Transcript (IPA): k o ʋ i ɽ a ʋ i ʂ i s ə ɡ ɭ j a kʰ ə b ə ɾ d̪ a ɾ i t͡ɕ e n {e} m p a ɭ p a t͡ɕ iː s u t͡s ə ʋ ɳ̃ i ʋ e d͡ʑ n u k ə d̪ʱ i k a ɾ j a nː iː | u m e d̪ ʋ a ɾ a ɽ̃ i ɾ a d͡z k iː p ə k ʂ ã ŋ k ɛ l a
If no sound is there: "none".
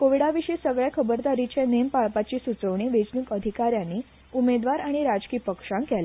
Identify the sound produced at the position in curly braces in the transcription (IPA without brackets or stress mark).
e